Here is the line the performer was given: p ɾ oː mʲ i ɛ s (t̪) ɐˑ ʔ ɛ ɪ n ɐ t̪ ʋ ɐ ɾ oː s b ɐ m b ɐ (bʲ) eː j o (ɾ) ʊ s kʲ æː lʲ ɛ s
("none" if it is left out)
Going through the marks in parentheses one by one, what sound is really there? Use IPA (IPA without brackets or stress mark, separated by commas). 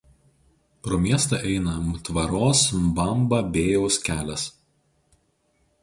t̪, bʲ, none